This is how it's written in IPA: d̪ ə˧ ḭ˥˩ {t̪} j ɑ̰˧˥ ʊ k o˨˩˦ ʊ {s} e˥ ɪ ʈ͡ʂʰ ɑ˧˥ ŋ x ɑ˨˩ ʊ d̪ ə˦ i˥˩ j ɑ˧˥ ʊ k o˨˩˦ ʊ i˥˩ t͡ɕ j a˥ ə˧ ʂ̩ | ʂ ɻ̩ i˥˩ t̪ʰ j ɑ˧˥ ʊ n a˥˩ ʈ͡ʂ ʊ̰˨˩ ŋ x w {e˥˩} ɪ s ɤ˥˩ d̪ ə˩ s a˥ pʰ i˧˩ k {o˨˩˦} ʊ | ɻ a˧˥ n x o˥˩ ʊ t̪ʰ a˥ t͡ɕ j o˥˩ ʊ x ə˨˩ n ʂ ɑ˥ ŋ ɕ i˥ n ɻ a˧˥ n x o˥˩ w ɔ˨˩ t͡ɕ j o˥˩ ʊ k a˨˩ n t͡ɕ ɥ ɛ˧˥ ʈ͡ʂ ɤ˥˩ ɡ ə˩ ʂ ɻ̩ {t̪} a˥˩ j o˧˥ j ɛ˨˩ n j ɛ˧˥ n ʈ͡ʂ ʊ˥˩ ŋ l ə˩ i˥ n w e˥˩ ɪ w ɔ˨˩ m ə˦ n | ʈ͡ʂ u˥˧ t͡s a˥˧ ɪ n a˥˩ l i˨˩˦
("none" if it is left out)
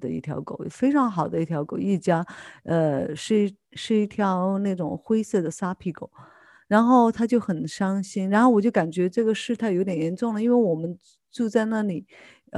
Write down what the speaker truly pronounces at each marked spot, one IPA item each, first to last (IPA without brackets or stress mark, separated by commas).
t̪ʰ, f, e˥, o˨˩˦, t̪ʰ